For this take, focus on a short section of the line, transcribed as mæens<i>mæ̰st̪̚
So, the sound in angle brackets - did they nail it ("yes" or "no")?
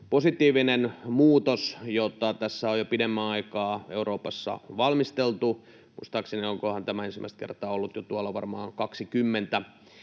yes